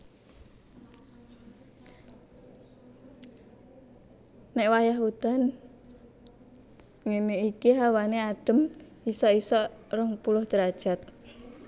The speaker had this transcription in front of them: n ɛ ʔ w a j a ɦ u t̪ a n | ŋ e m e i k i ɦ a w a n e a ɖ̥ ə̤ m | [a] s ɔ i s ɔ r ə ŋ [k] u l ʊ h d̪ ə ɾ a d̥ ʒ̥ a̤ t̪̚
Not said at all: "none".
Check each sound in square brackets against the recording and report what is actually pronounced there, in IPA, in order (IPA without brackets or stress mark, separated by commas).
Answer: i, p